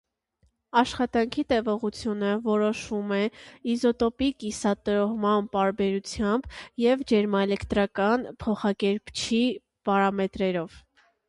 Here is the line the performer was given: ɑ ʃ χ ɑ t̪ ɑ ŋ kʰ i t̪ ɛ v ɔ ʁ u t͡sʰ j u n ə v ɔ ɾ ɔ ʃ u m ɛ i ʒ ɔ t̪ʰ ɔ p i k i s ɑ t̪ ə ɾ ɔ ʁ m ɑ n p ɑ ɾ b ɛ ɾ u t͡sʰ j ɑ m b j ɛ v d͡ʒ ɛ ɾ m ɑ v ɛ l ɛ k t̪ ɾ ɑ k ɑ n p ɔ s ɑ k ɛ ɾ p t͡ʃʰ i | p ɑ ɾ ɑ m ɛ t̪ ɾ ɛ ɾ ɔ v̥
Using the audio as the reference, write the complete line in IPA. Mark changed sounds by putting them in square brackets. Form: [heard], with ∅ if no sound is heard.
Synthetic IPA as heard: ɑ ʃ χ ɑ t̪ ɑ ŋ kʰ i t̪ ɛ v ɔ ʁ u t͡sʰ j u n ə v ɔ ɾ ɔ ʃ u m ɛ i [z] ɔ [t̪] ɔ p i k i s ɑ t̪ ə ɾ ɔ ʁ m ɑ n p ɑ ɾ b ɛ ɾ u t͡sʰ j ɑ m b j ɛ v d͡ʒ ɛ ɾ m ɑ [∅] ɛ l ɛ k t̪ ɾ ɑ k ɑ n [pʰ] ɔ [χ] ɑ k ɛ ɾ p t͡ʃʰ i | p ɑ ɾ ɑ m ɛ t̪ ɾ ɛ ɾ ɔ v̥